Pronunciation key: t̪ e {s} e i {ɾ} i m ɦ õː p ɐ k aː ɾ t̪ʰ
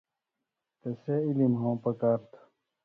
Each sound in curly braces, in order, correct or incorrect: correct, incorrect

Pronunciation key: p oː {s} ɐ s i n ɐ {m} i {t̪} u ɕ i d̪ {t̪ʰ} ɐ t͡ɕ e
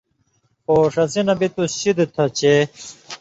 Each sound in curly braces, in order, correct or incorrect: incorrect, incorrect, correct, correct

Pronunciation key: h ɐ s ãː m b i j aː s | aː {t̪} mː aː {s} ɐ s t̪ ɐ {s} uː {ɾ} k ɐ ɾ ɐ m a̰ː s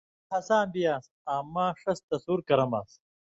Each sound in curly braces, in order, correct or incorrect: incorrect, incorrect, correct, correct

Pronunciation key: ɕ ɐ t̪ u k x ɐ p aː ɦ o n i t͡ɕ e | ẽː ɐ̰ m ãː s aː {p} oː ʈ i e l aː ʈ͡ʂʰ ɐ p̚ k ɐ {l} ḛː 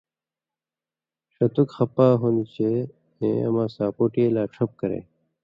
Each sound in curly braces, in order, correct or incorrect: correct, incorrect

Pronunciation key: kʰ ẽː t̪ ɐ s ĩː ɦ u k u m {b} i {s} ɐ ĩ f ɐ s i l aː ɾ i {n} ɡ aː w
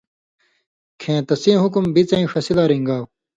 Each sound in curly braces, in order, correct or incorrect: correct, incorrect, incorrect

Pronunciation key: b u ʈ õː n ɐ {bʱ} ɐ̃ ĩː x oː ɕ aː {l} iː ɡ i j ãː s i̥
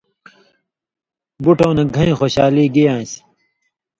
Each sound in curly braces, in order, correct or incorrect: incorrect, correct

